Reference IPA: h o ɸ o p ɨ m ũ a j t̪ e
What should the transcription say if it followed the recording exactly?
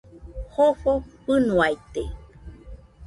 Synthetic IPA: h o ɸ o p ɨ n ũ a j t̪ e